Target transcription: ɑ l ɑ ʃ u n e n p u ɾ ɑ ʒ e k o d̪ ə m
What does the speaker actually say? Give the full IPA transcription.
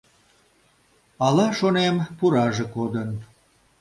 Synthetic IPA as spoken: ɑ l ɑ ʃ o n e m p u ɾ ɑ ʒ e k o d̪ ə n